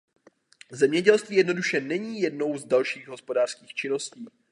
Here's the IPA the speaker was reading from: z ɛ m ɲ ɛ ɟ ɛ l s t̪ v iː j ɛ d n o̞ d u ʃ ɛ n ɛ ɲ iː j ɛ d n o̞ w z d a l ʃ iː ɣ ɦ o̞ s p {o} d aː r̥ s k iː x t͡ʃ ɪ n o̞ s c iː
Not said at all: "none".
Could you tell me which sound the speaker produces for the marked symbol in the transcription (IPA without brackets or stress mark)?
o